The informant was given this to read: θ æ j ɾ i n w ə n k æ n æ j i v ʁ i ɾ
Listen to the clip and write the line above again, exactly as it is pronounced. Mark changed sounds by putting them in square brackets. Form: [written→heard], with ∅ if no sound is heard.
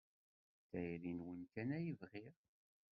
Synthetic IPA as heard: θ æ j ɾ i n w ə n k æ n æ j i v ʁ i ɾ